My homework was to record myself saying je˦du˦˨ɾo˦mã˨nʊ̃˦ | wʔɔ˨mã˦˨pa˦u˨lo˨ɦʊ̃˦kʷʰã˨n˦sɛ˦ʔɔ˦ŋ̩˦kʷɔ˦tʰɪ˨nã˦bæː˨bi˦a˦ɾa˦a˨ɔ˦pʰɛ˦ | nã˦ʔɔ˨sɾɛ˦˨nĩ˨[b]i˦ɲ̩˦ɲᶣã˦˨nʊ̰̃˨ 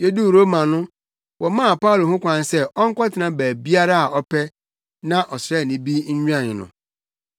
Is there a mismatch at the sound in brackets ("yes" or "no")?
no